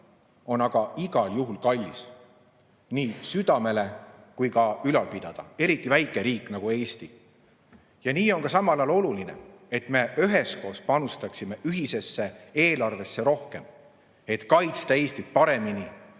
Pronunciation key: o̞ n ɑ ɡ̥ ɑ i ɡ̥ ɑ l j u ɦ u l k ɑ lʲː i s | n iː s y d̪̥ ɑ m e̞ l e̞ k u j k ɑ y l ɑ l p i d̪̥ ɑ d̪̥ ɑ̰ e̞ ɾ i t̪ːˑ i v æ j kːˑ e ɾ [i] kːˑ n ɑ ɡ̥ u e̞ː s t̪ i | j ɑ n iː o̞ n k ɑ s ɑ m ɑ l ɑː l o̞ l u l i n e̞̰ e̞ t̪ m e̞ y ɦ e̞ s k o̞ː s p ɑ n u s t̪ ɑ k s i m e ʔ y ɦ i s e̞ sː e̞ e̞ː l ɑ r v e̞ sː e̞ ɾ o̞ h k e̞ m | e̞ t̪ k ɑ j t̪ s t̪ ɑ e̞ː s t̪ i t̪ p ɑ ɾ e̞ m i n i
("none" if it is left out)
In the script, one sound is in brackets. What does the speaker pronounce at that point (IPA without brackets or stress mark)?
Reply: iː